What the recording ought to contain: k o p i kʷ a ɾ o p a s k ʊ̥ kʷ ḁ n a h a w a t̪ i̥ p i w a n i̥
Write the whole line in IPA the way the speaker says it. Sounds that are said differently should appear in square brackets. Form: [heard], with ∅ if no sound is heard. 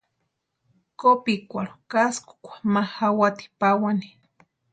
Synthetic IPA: k o p i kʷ a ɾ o [k] a s k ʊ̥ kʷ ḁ [m] a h a w a t̪ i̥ p [a] w a n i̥

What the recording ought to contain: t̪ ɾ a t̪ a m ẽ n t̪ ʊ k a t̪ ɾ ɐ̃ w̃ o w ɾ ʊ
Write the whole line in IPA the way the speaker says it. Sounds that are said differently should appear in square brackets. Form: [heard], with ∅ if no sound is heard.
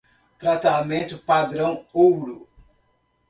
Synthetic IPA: t̪ ɾ a t̪ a m ẽ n t̪ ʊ [p] a [d̪] ɾ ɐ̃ w̃ o w ɾ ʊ

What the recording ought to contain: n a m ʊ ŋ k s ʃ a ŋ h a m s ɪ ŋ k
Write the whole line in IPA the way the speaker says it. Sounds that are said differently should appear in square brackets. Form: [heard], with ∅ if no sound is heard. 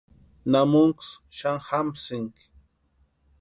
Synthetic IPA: n a m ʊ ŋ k s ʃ a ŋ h a m s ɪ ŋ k

